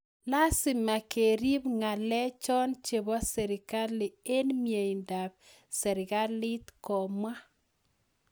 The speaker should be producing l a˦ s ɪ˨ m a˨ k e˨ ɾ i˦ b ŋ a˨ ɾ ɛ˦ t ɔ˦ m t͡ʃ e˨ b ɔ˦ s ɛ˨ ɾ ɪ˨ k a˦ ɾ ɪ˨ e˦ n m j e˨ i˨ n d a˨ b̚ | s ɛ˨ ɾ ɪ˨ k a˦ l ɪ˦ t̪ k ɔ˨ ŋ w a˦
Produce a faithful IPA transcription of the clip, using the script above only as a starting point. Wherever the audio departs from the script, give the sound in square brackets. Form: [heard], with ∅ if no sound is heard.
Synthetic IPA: l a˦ s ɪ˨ m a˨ k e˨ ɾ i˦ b ŋ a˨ [l] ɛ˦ [t͡ʃ] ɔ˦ [n] t͡ʃ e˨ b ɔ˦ s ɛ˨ ɾ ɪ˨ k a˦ [l] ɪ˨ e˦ n m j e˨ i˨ n d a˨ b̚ | s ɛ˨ ɾ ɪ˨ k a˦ l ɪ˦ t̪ k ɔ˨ [m] w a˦